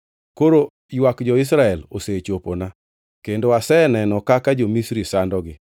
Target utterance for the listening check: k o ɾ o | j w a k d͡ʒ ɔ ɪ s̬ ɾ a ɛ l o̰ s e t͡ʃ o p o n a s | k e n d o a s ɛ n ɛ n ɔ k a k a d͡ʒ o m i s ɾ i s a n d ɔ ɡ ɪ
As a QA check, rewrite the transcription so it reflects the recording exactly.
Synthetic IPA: k o ɾ o | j w a k d͡ʒ ɔ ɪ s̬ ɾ a ɛ l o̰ s e t͡ʃ o p o n a | k e n d o a s ɛ n ɛ n ɔ k a k a d͡ʒ o m i s ɾ i s a n d ɔ ɡ ɪ

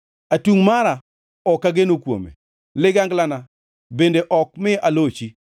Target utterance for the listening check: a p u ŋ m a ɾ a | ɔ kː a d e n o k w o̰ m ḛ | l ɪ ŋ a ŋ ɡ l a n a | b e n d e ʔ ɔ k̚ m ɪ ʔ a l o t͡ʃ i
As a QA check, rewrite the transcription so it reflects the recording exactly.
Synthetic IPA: a t u ŋ m a ɾ a | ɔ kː a ɡ e n o k w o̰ m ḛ | l ɪ ɡ a ŋ ɡ l a n a | b e n d e ʔ ɔ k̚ m ɪ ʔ a l o t͡ʃ i

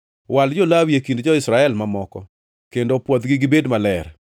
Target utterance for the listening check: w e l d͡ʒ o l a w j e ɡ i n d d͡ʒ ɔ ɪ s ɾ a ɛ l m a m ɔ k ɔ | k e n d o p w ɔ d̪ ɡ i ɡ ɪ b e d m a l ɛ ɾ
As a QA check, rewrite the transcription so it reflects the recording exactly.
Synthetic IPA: w a l d͡ʒ o l a w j e k i n d d͡ʒ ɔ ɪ s ɾ a ɛ l m a m ɔ k ɔ | k e n d o p w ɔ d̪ ɡ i ɡ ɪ b e d m a l ɛ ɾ

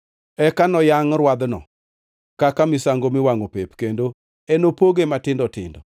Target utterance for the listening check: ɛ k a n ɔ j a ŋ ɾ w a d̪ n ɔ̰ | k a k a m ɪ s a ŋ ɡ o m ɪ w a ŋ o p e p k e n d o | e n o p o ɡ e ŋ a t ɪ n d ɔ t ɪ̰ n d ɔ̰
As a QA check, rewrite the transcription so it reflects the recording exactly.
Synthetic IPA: ɛ k a n ɔ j a ŋ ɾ w a d̪ n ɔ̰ | k a k a m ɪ s a ŋ ɡ o m ɪ w a ŋ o p e p k e n d o | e n o p o ɡ e m a t ɪ n d ɔ t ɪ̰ n d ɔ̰

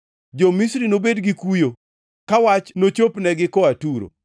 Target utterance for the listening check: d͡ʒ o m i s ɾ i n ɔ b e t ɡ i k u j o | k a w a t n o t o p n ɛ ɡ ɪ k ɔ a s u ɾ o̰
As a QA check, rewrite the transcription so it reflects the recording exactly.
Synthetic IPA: d͡ʒ o m i s ɾ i n o b e d ɡ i k u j o | k a w a t͡ʃ n o t͡ʃ o p n ɛ ɡ ɪ k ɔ a t u ɾ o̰

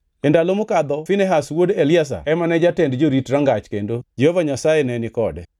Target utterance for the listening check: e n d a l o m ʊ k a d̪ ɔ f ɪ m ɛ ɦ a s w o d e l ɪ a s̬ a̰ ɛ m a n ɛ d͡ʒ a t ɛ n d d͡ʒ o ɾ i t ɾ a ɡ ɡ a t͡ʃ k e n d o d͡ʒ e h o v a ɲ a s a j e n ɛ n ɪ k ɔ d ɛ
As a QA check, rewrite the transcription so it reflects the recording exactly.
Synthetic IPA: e n d a l o m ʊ k a d̪ ɔ f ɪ n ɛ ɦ a s w o d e l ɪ a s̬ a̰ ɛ m a n ɛ d͡ʒ a t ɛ n d d͡ʒ o ɾ i t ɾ a ŋ ɡ a t͡ʃ k e n d o d͡ʒ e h o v a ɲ a s a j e n ɛ n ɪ k ɔ d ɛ

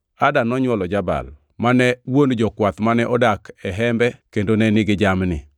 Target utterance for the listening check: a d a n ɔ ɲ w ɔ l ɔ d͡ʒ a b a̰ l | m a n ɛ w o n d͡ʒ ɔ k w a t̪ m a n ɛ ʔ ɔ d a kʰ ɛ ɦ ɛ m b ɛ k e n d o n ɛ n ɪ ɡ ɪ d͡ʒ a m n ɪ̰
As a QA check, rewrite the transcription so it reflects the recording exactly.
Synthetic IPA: a d a n ɔ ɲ w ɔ l ɔ d͡ʒ a b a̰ l | m a n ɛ w o n d͡ʒ ɔ k w a t̪ m a n ɛ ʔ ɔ d a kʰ ɛ ɦ ɛ m b ɛ k e n d o n ɛ n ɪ ɡ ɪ d͡ʒ a m n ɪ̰

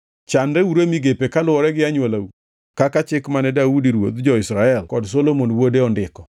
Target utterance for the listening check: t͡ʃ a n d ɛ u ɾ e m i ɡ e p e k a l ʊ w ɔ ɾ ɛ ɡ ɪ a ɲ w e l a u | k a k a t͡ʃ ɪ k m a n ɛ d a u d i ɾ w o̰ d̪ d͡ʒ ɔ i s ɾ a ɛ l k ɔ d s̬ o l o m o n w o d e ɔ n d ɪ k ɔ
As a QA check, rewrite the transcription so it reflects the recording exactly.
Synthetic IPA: t͡ʃ a n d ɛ u ɾ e m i ɡ e p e k a l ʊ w ɔ ɾ ɛ ɡ ɪ a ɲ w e l a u | k a k a t͡ʃ ɪ k m a n ɛ d a u d i ɾ w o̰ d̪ d͡ʒ ɔ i s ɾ a ɛ l k ɔ d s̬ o l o m o n w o d e ɔ n d ɪ k ɔ

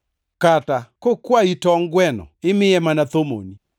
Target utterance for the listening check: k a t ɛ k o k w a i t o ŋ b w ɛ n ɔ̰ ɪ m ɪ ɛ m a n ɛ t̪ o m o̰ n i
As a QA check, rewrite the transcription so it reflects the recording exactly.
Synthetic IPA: k a t a k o k w a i t ɔ ŋ ɡ w ɛ n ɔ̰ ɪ m ɪ ɛ m a n a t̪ o m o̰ n i

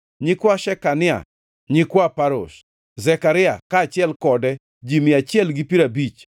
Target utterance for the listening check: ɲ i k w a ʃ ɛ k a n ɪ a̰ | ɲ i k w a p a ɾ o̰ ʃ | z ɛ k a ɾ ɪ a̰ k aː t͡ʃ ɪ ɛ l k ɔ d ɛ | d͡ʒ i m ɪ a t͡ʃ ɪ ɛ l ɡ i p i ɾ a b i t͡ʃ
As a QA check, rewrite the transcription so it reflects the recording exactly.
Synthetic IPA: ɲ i k w a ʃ ɛ k a n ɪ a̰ | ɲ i k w a p a ɾ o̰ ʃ | z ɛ k a ɾ ɪ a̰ k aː t͡ʃ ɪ ɛ l k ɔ d ɛ | d͡ʒ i m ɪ a t͡ʃ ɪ ɛ l ɡ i p i ɾ a b i t͡ʃ

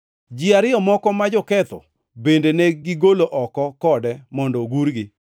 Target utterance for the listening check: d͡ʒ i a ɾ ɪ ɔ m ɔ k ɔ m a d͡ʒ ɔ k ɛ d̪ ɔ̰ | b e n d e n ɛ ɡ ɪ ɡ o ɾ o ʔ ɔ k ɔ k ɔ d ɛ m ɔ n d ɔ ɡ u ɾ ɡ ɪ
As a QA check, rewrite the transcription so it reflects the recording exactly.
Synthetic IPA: d͡ʒ i a ɾ ɪ ɔ m ɔ k ɔ m a d͡ʒ ɔ k ɛ t̪ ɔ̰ | b e n d e n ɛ ɡ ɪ ɡ o l o ʔ ɔ k ɔ k ɔ d ɛ m ɔ n d ɔ ɡ u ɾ ɡ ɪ

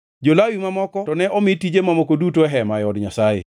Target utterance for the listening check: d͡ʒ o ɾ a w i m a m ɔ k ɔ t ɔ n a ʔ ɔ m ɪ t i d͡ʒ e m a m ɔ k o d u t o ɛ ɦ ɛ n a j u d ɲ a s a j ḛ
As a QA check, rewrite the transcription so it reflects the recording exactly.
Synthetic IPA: d͡ʒ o l a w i m a m ɔ k ɔ t ɔ n ɛ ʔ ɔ m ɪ t i d͡ʒ e m a m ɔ k o d u t o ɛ ɦ ɛ m a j ɔ d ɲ a s a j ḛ

